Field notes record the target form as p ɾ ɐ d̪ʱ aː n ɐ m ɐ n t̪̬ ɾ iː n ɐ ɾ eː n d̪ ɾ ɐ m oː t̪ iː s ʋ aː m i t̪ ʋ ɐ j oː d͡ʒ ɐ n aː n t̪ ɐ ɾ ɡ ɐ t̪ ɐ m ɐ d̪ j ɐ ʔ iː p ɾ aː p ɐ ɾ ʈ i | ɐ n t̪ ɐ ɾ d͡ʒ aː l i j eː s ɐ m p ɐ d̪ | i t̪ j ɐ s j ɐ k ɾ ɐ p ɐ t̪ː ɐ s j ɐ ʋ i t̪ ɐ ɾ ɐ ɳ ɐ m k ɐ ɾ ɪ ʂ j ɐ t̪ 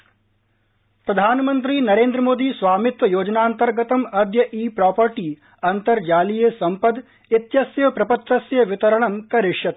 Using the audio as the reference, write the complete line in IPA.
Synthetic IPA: p ɾ ɐ d̪ʱ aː n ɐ m ɐ n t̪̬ ɾ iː n ɐ ɾ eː n d̪ ɾ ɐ m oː d̪ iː s ʋ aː m i t̪ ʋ ɐ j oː d͡ʒ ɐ n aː n t̪ ɐ ɾ ɡ ɐ t̪ ɐ m ɐ d̪ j ɐ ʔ iː p ɾ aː p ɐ ɾ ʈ i | ɐ n t̪ ɐ ɾ d͡ʒ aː l i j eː s ɐ m p ɐ d̪ | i t̪ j ɐ s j ɐ p ɾ ɐ p ɐ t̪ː ɐ s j ɐ ʋ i t̪ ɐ ɾ ɐ ɳ ɐ m k ɐ ɾ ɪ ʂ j ɐ t̪